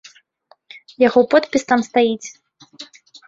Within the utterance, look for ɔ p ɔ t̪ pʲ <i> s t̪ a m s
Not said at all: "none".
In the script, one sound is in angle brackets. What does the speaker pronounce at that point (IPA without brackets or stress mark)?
i